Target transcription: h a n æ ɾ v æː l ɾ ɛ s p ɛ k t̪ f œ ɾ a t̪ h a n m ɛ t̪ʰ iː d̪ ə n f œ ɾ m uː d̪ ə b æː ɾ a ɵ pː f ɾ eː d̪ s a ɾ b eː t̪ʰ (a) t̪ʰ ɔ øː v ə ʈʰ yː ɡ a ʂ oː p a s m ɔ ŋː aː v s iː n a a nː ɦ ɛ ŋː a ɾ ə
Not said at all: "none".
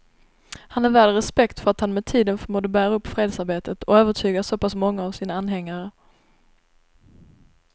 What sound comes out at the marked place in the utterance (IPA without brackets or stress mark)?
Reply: ə